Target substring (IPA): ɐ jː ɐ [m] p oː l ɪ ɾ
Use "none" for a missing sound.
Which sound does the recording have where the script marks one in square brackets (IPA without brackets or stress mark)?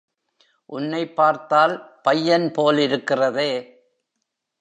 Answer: n